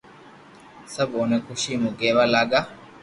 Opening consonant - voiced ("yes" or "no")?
no